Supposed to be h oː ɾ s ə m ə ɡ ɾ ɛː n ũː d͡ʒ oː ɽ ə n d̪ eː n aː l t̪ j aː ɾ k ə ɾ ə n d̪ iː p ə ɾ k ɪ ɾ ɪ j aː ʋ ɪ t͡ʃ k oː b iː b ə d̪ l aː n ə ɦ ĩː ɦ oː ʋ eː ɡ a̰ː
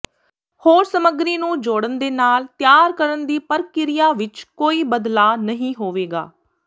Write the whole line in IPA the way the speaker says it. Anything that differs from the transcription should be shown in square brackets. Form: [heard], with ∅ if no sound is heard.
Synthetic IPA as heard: h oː ɾ s ə m ə ɡ ɾ [iː] n ũː d͡ʒ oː ɽ ə n d̪ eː n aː l t̪ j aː ɾ k ə ɾ ə n d̪ iː p ə ɾ k ɪ ɾ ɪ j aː ʋ ɪ t͡ʃ k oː [∅] iː b ə d̪ l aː n ə ɦ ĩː ɦ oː ʋ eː ɡ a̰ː